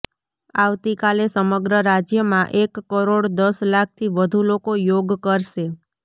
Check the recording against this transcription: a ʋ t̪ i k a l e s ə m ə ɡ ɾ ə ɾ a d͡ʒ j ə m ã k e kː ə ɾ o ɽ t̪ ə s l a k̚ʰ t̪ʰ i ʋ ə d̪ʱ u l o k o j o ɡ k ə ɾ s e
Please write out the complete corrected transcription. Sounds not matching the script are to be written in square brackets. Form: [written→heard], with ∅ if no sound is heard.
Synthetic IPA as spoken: a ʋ t̪ i k a l e s ə m ə ɡ ɾ ə ɾ a d͡ʒ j ə m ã [k→ʔ] e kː ə ɾ o ɽ [t̪→d̪] ə s l a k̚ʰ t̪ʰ i ʋ ə d̪ʱ u l o k o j o ɡ k ə ɾ [s→ʃ] e

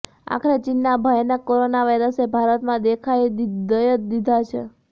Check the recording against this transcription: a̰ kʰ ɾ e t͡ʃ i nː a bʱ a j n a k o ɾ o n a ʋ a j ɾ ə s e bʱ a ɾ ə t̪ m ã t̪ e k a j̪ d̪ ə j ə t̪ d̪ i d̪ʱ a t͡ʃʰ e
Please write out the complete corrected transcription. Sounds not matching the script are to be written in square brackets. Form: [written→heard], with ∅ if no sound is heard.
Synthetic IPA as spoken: a̰ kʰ ɾ e t͡ʃ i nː a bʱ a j n a k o ɾ o n a ʋ a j ɾ ə s e bʱ a ɾ ə t̪ m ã [t̪→d̪] e [k→kʰ] a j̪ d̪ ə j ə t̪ d̪ i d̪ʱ a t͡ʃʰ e

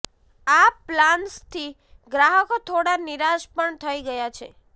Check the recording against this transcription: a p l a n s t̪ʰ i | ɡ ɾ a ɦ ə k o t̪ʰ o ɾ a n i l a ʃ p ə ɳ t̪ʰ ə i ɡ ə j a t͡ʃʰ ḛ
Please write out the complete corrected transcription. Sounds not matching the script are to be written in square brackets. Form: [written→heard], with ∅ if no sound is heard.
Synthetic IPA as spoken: a p l a n s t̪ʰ i | ɡ ɾ a ɦ ə k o t̪ʰ o [ɾ→ɽ] a n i [l→ɾ] a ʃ p ə ɳ t̪ʰ ə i ɡ ə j a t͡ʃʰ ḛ

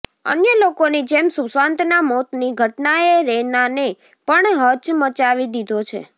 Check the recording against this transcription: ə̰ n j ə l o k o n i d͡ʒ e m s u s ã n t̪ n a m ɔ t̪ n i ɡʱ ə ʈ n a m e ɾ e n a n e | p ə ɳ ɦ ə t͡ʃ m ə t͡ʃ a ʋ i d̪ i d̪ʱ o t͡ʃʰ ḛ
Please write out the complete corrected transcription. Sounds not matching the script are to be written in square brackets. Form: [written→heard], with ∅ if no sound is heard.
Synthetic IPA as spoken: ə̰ n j ə l o k o n i d͡ʒ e m s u s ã n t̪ n a m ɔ t̪ n i ɡʱ ə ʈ n a [m→∅] e ɾ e n a n e | p ə ɳ ɦ ə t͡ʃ m ə t͡ʃ a ʋ i d̪ i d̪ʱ o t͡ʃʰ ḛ

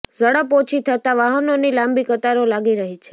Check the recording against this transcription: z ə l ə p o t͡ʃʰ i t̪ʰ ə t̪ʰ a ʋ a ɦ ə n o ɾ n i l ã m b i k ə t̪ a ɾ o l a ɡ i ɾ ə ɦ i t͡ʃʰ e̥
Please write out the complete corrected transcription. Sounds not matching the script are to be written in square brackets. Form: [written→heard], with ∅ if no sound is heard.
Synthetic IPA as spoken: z ə [l→ɽ] ə p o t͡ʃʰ i t̪ʰ ə [t̪ʰ→t̪] a ʋ a ɦ ə n o [ɾ→∅] n i l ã m b i k ə t̪ a ɾ o l a ɡ i ɾ ə ɦ i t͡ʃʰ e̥

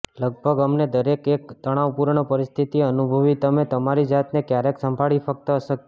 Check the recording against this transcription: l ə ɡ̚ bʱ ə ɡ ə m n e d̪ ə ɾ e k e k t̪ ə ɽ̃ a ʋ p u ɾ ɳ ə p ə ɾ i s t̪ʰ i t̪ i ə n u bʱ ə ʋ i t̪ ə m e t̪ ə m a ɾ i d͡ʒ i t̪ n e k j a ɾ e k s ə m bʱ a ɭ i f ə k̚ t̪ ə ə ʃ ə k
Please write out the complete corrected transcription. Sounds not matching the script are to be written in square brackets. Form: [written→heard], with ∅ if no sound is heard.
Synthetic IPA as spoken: l ə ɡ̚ bʱ ə ɡ ə m n e d̪ ə ɾ e k e k t̪ ə ɽ̃ a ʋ p u ɾ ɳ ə p ə ɾ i s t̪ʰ i t̪ i ə n u bʱ ə ʋ i t̪ ə m e t̪ ə m a ɾ i d͡ʒ [i→a] t̪ n e k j a ɾ e k s ə m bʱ a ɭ i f ə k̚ t̪ ə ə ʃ ə k

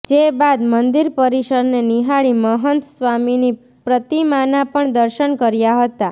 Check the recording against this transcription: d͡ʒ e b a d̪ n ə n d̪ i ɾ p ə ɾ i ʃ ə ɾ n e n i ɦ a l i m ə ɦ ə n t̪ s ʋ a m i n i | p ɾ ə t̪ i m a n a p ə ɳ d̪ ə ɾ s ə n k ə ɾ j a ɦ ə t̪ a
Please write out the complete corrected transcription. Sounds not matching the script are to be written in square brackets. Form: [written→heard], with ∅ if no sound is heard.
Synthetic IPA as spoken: d͡ʒ e b a d̪ [n→m] ə n d̪ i ɾ p ə ɾ i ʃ ə ɾ n e n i ɦ a [l→ɭ] i m ə ɦ ə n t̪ s ʋ a m i n i | p ɾ ə t̪ i m a n a p ə ɳ d̪ ə ɾ [s→ʃ] ə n k ə ɾ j a ɦ ə t̪ a

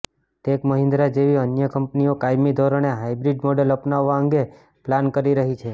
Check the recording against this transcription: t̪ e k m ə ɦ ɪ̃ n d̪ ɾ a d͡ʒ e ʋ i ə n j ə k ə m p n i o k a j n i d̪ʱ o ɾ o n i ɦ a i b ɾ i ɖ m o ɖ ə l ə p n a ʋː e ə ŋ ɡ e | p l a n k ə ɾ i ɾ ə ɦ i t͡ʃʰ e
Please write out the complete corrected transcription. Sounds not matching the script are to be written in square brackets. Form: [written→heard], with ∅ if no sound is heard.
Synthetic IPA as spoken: t̪ e k m ə ɦ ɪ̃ n d̪ ɾ a d͡ʒ e ʋ i ə n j ə k ə m p n i o k a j [n→m] i d̪ʱ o ɾ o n [i→e] ɦ a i b ɾ i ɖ m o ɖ ə l ə p n a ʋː [e→a] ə ŋ ɡ e | p l a n k ə ɾ i ɾ ə ɦ i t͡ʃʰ e

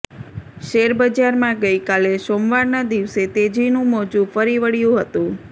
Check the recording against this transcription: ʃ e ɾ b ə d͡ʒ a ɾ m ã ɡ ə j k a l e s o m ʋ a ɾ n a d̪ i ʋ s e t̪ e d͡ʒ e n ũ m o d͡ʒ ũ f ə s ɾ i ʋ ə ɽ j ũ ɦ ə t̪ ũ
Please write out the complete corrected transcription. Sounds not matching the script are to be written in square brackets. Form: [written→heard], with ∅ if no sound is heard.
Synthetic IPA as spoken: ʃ e ɾ b ə d͡ʒ a ɾ m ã ɡ ə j k a l e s o m ʋ a ɾ n a d̪ i ʋ s e t̪ e d͡ʒ [e→i] n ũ m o d͡ʒ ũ f ə [s→∅] ɾ i ʋ ə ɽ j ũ ɦ ə t̪ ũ

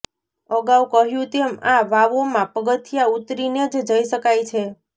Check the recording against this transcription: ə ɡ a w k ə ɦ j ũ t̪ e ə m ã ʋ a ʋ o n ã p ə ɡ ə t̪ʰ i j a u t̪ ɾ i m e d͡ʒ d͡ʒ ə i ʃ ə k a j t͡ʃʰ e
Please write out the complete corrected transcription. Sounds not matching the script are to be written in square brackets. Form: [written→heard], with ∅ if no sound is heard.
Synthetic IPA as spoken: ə ɡ a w k ə ɦ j ũ t̪ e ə m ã ʋ a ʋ o [n→m] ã p ə ɡ ə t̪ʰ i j a u t̪ ɾ i [m→n] e d͡ʒ d͡ʒ ə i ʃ ə k a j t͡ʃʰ e

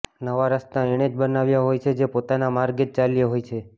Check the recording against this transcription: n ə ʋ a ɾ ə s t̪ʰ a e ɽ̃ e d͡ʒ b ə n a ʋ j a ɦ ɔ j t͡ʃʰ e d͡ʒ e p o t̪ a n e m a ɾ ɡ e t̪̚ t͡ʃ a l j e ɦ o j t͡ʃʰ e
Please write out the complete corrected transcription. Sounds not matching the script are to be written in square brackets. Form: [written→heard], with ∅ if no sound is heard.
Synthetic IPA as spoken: n ə ʋ a ɾ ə s [t̪ʰ→t̪] a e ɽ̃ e d͡ʒ b ə n a ʋ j a ɦ [ɔ→o] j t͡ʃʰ e d͡ʒ e p o t̪ a n [e→a] m a ɾ ɡ e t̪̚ t͡ʃ a l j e ɦ o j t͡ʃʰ e

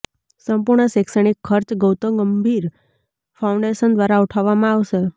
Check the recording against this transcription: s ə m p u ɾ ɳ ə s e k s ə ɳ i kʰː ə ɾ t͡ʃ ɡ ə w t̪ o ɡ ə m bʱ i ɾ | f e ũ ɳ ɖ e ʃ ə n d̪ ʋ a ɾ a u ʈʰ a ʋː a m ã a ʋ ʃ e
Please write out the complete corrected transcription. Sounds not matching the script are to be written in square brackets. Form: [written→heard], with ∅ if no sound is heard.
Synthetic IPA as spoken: s ə m p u ɾ ɳ ə s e k s ə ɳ i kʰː ə ɾ t͡ʃ ɡ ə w t̪ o ɡ ə m bʱ i ɾ | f [e→a] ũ ɳ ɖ e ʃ ə n d̪ ʋ a ɾ a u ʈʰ a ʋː a m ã a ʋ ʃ e

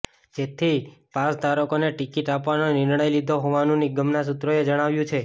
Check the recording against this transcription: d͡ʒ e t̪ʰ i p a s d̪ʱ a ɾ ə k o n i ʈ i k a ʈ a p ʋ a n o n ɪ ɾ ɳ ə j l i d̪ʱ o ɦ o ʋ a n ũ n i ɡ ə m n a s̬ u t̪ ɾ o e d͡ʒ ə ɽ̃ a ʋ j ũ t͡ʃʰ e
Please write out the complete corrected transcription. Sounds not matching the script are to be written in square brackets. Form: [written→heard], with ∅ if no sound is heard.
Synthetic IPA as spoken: d͡ʒ e t̪ʰ i p a s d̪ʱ a ɾ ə k o n [i→e] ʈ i k [a→i] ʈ a p ʋ a n o n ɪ ɾ ɳ ə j l i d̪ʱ o ɦ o ʋ a n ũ n i ɡ ə m n a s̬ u t̪ ɾ o e d͡ʒ ə ɽ̃ a ʋ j ũ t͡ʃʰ e

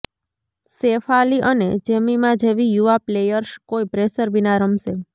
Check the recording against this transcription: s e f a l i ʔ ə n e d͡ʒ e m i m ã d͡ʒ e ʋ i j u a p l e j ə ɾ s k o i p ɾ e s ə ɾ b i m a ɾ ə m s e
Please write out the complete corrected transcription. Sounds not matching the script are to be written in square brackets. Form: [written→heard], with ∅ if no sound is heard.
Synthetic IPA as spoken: s e f a l i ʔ ə n e d͡ʒ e m i m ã d͡ʒ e ʋ i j u a p l e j ə ɾ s k o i p ɾ e s ə ɾ b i [m→n] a ɾ ə m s e

